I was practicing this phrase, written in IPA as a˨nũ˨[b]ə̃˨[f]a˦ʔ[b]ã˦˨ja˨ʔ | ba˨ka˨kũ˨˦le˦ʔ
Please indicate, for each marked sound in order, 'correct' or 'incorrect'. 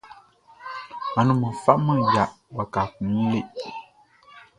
incorrect, correct, incorrect

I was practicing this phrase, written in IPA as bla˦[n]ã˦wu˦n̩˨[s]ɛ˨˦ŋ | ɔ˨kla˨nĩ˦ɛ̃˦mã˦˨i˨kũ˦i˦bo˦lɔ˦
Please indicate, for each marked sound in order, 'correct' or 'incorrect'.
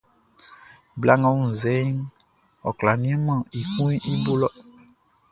incorrect, incorrect

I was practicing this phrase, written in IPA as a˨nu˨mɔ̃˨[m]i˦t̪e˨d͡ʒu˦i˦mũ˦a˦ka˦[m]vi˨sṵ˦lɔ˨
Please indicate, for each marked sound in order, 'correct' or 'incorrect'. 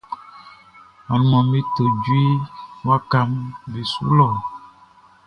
correct, correct

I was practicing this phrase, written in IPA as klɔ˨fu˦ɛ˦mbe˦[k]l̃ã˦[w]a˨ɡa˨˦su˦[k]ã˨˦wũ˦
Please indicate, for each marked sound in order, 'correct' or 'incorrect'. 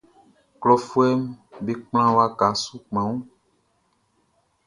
incorrect, correct, incorrect

